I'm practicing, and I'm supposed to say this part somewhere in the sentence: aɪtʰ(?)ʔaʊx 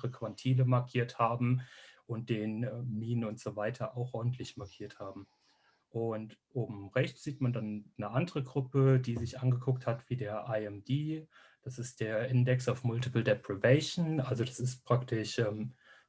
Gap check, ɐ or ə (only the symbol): ɐ